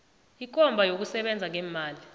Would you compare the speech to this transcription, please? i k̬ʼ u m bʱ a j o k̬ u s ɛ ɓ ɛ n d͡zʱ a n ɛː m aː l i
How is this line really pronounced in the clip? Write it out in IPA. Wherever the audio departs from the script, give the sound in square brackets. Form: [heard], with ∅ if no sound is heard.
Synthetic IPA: i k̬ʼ [ɔ] m bʱ a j o k̬ u s ɛ ɓ ɛ n d͡zʱ a [ŋ] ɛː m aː l i